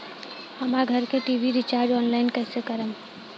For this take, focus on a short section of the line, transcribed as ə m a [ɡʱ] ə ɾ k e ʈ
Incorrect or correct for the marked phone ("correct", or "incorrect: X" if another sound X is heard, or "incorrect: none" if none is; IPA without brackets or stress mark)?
correct